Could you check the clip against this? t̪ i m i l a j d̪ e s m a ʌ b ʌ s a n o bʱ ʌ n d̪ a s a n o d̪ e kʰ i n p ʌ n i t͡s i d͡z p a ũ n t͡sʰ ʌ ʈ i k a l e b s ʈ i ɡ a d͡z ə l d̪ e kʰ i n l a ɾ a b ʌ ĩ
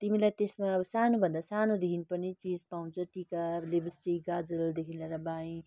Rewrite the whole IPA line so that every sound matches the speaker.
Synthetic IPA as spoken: t̪ i m i l a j t̪ e s m a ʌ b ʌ s a n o bʱ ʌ n d̪ a s a n o d̪ e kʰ i n p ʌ n i t͡s i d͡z p a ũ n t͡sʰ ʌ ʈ i k a l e b s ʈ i ɡ a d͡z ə l d̪ e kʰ i n l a ɾ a b a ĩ